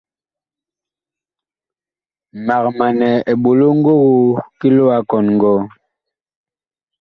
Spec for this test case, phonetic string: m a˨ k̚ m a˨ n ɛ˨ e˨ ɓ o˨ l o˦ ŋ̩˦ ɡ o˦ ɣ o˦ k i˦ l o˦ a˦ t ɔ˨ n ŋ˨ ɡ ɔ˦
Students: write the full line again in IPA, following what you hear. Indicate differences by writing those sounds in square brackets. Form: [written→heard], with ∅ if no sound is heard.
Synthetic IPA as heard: m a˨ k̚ m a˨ n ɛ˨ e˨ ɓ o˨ l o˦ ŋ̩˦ ɡ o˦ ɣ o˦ k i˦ l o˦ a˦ [t→k] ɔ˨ n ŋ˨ ɡ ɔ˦